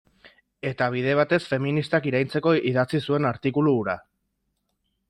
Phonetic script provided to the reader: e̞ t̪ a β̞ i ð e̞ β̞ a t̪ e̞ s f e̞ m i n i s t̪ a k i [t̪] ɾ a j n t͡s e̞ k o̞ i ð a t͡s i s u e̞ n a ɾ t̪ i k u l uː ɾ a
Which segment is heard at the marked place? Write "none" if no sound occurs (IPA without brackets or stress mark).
none